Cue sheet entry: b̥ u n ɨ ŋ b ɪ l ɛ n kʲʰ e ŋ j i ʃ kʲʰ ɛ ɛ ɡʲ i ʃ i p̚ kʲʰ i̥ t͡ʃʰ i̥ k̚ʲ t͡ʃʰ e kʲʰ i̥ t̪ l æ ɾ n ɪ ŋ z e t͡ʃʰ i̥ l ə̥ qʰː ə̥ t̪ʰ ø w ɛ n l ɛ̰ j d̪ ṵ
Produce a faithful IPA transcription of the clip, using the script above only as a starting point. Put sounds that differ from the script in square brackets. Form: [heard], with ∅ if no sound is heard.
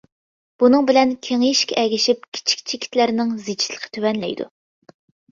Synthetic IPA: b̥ u n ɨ ŋ b ɪ l ɛ n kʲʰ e ŋ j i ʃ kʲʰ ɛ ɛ ɡʲ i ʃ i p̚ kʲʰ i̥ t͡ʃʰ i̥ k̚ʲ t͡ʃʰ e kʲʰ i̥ t̪ l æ ɾ n ɪ ŋ z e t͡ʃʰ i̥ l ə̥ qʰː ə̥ t̪ʰ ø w ɛ n l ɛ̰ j d̪ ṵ